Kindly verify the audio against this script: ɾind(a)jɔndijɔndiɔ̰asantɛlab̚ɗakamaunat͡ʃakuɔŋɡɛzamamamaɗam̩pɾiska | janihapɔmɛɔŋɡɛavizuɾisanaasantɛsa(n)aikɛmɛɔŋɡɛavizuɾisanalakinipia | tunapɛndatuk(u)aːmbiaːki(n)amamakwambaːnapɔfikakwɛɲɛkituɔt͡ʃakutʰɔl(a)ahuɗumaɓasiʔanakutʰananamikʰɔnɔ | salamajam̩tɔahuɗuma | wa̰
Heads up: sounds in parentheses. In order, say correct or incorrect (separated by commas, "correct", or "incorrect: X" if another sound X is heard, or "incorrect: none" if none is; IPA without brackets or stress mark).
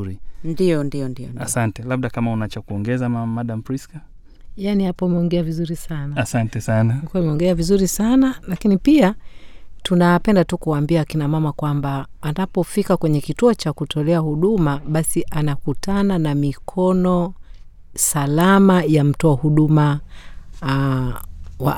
incorrect: i, correct, correct, correct, incorrect: ɛ